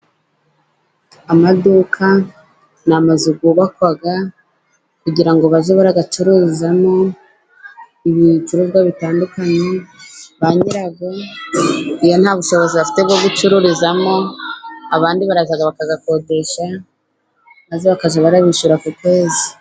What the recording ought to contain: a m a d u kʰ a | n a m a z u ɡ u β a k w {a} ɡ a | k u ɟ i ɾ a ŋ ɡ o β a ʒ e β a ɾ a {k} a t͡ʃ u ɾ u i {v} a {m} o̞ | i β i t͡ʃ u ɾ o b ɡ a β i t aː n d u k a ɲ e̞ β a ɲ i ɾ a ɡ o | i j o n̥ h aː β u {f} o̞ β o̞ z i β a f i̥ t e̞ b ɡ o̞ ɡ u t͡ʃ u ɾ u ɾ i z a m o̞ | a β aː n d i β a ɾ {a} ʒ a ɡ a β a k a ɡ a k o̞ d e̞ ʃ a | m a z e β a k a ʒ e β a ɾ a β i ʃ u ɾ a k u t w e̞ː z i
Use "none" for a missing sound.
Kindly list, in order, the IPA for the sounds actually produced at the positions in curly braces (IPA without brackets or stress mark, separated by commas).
a, ɡ, z, m, ʃ, a